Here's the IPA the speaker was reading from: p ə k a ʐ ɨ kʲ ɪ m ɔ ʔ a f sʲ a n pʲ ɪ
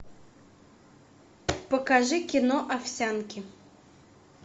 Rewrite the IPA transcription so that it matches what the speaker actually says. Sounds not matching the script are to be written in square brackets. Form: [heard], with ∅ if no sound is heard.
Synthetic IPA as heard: p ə k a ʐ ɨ kʲ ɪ [n] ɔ ʔ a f sʲ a n [kʲ] ɪ